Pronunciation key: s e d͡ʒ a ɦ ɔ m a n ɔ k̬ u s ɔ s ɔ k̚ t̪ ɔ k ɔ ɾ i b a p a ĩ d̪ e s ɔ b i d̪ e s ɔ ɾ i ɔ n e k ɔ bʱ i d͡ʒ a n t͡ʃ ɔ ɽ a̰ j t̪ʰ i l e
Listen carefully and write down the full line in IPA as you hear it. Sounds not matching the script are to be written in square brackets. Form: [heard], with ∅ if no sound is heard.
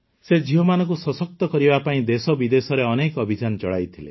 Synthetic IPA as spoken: s e d͡ʒ [i] ɦ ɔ m a n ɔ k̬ u s ɔ s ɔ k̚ t̪ ɔ k ɔ ɾ i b a p a ĩ d̪ e s ɔ b i d̪ e s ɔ ɾ [e] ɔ n e k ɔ bʱ i d͡ʒ a n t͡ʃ ɔ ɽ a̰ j t̪ʰ i l e